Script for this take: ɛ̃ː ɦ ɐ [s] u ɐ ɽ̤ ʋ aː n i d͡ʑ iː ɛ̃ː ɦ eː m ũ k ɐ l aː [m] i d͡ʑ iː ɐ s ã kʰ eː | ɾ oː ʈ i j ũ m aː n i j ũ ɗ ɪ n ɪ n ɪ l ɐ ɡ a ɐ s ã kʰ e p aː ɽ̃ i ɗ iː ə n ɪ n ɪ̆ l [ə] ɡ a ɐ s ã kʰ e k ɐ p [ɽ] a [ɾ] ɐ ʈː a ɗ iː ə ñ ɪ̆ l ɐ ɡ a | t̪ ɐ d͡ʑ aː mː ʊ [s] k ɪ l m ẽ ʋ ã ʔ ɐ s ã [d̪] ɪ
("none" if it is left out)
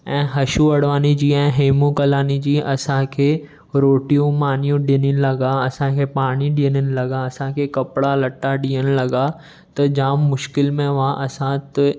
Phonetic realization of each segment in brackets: ʃ, n, ɐ, ɽ, l, ʃ, t̪

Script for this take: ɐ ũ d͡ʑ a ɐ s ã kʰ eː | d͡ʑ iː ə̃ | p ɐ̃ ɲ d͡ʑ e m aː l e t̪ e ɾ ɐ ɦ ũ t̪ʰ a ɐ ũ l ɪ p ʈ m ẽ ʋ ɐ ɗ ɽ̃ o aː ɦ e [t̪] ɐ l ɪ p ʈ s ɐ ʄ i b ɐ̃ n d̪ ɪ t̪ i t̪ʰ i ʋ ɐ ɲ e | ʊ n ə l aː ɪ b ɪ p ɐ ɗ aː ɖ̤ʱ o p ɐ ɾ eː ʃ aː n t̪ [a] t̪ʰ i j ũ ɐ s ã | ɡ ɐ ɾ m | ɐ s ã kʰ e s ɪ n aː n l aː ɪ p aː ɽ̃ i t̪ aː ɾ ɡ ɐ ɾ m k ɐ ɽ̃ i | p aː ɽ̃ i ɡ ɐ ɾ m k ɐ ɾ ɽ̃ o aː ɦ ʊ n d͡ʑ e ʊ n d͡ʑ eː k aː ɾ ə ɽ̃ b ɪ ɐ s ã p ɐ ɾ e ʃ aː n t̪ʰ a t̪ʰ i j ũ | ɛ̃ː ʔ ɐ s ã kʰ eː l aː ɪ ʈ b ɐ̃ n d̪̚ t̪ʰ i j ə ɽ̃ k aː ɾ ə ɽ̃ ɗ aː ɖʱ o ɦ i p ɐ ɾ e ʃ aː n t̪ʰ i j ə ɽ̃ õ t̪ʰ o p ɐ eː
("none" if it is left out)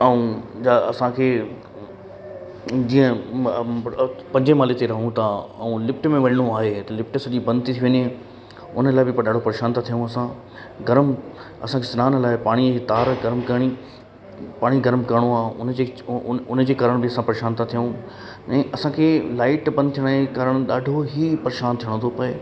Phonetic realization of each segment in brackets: t̪, a

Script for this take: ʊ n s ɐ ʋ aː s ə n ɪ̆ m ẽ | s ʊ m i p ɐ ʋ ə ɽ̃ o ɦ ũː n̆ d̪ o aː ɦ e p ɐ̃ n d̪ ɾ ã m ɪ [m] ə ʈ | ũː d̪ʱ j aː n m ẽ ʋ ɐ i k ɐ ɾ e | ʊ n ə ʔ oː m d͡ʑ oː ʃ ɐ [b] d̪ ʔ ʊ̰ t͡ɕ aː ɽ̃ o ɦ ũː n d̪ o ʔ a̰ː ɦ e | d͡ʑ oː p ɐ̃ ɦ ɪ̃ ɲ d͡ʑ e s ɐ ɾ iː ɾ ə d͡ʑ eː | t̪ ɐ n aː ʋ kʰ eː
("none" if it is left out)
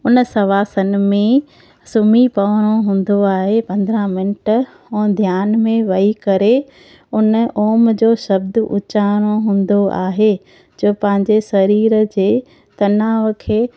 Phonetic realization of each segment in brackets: n, b

